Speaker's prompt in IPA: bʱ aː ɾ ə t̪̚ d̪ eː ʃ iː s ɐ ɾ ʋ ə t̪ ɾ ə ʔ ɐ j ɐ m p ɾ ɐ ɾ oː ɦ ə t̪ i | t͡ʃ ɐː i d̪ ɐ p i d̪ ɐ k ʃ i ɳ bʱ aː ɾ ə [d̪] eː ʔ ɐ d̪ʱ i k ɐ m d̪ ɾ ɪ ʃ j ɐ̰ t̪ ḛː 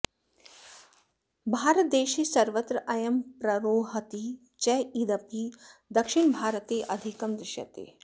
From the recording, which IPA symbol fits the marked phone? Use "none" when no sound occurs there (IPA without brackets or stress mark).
t̪